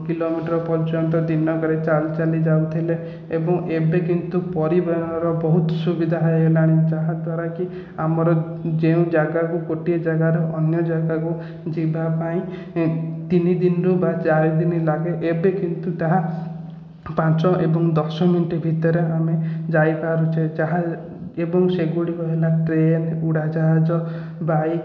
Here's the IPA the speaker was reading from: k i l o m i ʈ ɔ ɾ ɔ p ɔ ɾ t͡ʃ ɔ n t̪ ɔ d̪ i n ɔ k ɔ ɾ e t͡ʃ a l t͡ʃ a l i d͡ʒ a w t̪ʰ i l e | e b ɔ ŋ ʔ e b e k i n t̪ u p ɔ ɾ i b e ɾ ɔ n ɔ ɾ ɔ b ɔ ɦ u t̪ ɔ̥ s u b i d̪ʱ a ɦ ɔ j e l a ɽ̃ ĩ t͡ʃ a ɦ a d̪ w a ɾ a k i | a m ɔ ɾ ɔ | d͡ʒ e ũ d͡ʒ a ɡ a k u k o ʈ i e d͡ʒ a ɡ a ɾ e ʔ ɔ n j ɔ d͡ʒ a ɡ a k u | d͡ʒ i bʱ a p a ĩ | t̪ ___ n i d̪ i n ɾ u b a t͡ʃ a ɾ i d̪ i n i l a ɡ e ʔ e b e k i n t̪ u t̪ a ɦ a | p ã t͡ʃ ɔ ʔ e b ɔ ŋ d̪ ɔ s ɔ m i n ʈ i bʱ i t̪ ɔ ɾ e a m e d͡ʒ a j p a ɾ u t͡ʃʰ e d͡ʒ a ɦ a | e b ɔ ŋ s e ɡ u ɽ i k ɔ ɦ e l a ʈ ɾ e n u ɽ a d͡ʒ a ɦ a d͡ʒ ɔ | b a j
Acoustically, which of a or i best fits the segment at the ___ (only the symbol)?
i